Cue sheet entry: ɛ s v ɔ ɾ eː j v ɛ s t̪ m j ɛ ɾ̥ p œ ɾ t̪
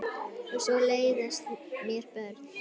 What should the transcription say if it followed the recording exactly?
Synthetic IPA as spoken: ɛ s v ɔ l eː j ð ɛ s t̪ m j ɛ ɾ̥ p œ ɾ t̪